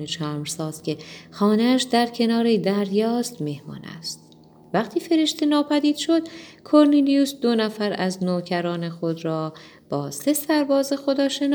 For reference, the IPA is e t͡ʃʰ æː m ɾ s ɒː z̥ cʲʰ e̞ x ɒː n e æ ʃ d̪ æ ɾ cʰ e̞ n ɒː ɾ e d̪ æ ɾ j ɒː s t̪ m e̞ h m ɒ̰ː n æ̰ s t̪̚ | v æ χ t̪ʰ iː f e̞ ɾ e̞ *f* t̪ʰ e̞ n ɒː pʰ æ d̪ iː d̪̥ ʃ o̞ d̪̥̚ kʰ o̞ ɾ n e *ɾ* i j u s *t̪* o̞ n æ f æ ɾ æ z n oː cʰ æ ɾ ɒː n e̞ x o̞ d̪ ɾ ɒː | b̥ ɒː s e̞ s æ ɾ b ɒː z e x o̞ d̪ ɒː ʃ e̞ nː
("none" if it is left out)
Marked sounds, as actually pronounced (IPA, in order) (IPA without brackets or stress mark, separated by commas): ʃ, l, d̪